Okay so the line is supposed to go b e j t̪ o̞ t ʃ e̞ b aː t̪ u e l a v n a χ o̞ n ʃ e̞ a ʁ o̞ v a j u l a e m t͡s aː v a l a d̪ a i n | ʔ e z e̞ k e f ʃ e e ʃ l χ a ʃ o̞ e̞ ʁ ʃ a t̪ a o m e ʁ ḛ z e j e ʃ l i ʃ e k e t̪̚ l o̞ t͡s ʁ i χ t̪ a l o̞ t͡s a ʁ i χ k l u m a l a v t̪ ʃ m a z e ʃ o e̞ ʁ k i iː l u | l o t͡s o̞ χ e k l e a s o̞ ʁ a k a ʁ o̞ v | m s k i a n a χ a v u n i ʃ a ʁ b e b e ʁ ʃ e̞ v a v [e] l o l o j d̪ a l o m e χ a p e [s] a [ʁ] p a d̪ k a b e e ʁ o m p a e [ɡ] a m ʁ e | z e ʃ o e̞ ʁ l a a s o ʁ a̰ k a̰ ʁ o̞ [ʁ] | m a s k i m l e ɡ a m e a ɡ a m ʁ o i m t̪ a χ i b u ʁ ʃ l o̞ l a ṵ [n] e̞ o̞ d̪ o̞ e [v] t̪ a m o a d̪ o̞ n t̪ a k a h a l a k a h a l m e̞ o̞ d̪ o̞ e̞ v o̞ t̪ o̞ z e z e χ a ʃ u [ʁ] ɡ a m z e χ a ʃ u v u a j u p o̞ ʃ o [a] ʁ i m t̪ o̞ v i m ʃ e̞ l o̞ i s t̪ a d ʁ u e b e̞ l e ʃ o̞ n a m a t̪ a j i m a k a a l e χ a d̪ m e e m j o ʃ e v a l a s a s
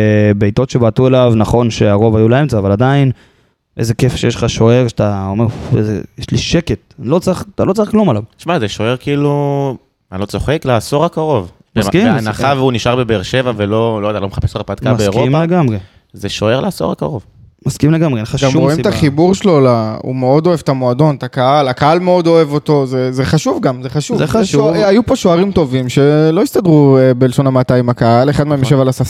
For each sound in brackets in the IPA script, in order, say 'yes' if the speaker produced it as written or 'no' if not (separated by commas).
yes, yes, yes, yes, no, no, yes, no, yes